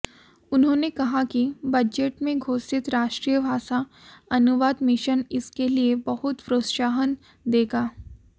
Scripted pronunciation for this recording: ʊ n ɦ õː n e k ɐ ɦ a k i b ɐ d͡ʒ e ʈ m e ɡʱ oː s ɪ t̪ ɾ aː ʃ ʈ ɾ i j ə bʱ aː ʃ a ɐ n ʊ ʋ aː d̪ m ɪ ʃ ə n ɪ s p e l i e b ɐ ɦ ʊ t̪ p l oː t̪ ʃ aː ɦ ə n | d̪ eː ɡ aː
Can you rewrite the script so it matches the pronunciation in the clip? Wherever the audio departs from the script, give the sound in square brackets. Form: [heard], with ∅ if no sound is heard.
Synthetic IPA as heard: ʊ n ɦ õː n e k ɐ ɦ a k i b ɐ d͡ʒ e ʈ m [ẽ] ɡʱ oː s ɪ t̪ ɾ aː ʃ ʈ ɾ i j ə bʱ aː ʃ a ɐ n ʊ ʋ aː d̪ m ɪ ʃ ə n ɪ s [k] e l i e b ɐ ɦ ʊ t̪ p [ɾ] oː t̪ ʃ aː ɦ ə n | d̪ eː ɡ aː

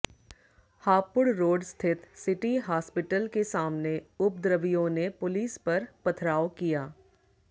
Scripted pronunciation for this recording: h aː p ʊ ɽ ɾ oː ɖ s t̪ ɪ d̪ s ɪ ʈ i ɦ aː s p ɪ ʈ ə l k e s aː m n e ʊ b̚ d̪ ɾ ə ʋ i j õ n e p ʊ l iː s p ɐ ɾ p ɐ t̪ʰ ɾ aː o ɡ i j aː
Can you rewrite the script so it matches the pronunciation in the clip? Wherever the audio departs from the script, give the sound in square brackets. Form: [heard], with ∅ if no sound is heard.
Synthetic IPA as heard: h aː p ʊ ɽ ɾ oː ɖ s [t̪ʰ] ɪ [t̪] s ɪ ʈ i ɦ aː s p ɪ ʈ ə l k e s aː m n e ʊ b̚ d̪ ɾ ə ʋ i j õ n e p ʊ l iː s p ɐ ɾ p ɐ t̪ʰ ɾ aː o [k] i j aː

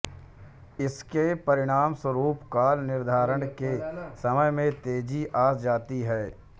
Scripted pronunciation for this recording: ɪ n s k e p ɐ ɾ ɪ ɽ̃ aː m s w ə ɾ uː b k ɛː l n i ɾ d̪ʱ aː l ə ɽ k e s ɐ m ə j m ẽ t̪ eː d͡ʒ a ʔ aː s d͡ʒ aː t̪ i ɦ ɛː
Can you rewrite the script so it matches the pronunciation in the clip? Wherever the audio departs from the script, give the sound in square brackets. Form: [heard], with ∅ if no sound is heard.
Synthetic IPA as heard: ɪ [∅] s k e p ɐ ɾ ɪ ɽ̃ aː m s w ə ɾ uː [p] k [aː] l n [ɪ] ɾ d̪ʱ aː [ɾ] ə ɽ k e s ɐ m ə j m ẽ t̪ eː d͡ʒ [i] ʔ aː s d͡ʒ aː t̪ i ɦ ɛː

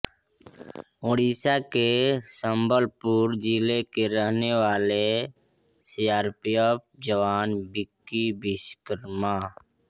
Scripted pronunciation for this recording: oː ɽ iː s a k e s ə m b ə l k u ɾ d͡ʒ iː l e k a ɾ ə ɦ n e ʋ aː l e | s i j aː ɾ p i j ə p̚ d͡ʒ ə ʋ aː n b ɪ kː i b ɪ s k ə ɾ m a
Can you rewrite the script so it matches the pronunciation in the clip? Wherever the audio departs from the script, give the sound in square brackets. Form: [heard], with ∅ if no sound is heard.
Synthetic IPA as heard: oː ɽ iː s a k e s ə m b ə l [p] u ɾ d͡ʒ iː l e k [e] ɾ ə ɦ n e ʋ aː l e | s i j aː ɾ p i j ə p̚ d͡ʒ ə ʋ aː n b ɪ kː i b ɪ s k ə ɾ m a

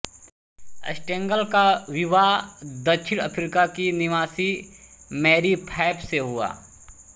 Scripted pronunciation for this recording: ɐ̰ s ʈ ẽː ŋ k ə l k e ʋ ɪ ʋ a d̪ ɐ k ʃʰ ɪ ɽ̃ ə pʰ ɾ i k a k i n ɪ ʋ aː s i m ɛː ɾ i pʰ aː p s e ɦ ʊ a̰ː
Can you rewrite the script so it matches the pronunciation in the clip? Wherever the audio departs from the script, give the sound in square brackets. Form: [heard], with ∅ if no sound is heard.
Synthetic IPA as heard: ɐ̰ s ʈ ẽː ŋ [ɡ] ə l k [a] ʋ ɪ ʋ a d̪ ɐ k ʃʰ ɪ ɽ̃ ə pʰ ɾ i k a k i n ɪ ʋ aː s i m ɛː ɾ i pʰ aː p s e ɦ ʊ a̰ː

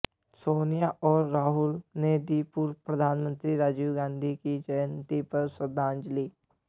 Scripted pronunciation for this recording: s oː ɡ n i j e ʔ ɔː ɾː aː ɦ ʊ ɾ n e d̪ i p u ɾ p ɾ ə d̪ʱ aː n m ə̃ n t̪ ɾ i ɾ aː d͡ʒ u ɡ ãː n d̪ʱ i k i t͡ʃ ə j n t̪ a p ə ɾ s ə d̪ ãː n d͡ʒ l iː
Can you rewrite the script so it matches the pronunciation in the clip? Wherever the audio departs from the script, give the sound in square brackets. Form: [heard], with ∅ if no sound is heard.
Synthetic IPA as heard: s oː [∅] n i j [a] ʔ ɔː ɾː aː ɦ ʊ [l] n e d̪ i p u ɾ p ɾ ə d̪ʱ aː n m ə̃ n t̪ ɾ i ɾ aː d͡ʒ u ɡ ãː n d̪ʱ i k i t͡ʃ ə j n t̪ [i] p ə ɾ s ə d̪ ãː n d͡ʒ l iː

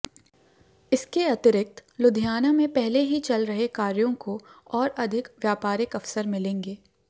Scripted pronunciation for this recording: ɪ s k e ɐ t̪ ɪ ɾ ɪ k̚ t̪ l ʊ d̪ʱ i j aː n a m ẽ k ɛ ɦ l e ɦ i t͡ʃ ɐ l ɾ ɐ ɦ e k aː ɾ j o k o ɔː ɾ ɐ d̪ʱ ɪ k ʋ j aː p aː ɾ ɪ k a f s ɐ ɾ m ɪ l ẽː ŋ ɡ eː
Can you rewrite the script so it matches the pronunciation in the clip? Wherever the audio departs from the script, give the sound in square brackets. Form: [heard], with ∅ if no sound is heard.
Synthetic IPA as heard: ɪ s k e ɐ t̪ ɪ ɾ ɪ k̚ t̪ l ʊ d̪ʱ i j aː n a m ẽ [p] ɛ ɦ l e ɦ i t͡ʃ ɐ l ɾ ɐ ɦ e k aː ɾ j [õ] k o ɔː ɾ ɐ d̪ʱ ɪ k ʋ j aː p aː ɾ ɪ k [ɐ] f s [ə] ɾ m ɪ l ẽː ŋ ɡ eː

